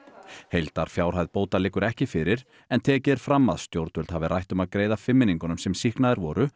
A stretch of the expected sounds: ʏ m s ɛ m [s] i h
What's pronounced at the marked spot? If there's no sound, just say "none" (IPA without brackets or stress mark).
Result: s